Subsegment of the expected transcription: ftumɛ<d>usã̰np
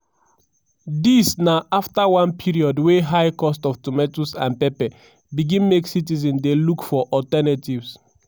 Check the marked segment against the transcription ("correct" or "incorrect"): incorrect